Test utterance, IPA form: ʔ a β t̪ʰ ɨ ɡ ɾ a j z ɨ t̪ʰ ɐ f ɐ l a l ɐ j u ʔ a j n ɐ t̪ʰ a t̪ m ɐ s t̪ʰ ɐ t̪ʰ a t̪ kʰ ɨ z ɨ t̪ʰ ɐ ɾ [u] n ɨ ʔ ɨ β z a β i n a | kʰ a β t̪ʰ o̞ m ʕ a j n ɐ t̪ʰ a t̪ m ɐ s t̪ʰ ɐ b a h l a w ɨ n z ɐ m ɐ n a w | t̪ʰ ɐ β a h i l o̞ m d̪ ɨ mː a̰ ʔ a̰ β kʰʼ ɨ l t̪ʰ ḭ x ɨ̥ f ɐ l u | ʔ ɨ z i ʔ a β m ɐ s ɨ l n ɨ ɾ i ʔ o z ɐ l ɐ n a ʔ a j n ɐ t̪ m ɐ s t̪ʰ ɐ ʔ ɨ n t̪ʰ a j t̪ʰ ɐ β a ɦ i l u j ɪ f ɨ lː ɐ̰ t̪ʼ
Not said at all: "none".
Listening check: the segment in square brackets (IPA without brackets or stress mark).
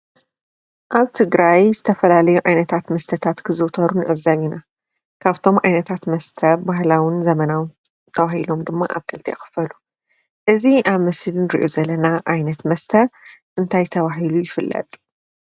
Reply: u